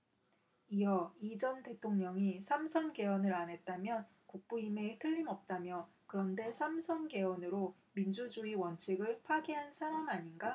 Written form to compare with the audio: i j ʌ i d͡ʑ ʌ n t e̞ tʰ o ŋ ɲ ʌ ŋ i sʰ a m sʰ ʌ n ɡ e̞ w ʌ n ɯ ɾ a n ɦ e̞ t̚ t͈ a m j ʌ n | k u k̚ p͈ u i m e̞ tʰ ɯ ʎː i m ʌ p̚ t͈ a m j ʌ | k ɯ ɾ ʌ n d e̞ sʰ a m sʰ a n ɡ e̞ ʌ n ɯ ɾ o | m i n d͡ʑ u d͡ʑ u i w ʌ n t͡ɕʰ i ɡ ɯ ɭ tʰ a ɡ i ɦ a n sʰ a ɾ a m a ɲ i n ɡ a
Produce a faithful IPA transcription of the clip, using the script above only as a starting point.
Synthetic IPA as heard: i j ʌ i d͡ʑ ʌ n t e̞ tʰ o ŋ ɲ ʌ ŋ i sʰ a m sʰ ʌ n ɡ e̞ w ʌ n ɯ ɾ a n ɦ e̞ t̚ t͈ a m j ʌ n | k u k̚ p͈ u i m e̞ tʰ ɯ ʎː i m ʌ p̚ t͈ a m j ʌ | k ɯ ɾ ʌ n d e̞ sʰ a m sʰ ʌ n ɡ e̞ ʌ n ɯ ɾ o | m i n d͡ʑ u d͡ʑ u i w ʌ n t͡ɕʰ i ɡ ɯ ɭ pʰ a ɡ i ɦ a n sʰ a ɾ a m a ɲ i n ɡ a

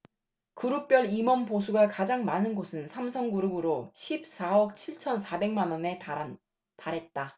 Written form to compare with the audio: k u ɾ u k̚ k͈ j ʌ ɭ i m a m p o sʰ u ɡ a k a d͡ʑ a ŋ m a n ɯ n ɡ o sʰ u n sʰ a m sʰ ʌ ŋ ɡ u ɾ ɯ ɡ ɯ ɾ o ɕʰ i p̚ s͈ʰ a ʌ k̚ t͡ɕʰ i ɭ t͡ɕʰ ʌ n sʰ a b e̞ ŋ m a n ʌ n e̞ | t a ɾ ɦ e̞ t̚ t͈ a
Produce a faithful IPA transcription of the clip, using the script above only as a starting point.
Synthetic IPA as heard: k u ɾ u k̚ p͈ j ʌ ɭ i m ʌ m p o sʰ u ɡ a k a d͡ʑ a ŋ m a n ɯ n ɡ o sʰ ɯ n sʰ a m sʰ ʌ ŋ ɡ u ɾ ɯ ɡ ɯ ɾ o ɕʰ i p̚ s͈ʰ a ʌ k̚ t͡ɕʰ i ɭ t͡ɕʰ ʌ n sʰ a b e̞ ŋ m a n ʌ n e̞ | t a ɾ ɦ e̞ t̚ t͈ a

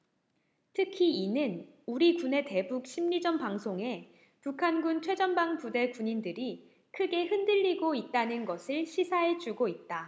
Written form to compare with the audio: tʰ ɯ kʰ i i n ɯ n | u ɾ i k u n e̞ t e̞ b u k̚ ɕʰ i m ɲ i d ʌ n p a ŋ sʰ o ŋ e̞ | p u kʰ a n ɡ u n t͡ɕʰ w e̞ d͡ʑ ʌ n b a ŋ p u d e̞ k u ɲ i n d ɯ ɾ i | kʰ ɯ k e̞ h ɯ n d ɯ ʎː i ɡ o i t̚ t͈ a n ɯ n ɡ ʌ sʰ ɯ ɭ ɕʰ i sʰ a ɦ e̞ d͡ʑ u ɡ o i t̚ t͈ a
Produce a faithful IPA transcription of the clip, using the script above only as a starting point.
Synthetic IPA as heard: tʰ ɯ kʰ i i n ɯ n | u ɾ i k u n e̞ t e̞ b u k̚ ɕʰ i m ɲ i d͡ʑ ʌ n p a ŋ sʰ o ŋ e̞ | p u kʰ a n ɡ u n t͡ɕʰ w e̞ d͡ʑ ʌ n b a ŋ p u d e̞ k u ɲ i n d ɯ ɾ i | kʰ ɯ ɡ e̞ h ɯ n d ɯ ʎː i ɡ o i t̚ t͈ a n ɯ n ɡ ʌ sʰ ɯ ɭ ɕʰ i sʰ a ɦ e̞ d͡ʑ u ɡ o i t̚ t͈ a

